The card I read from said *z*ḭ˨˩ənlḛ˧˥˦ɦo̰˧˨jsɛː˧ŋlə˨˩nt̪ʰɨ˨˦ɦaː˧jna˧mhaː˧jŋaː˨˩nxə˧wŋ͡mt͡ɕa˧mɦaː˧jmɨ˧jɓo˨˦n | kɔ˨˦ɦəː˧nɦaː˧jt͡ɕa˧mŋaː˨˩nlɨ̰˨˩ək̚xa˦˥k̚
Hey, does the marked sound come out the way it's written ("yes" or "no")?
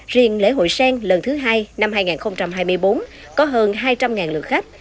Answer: yes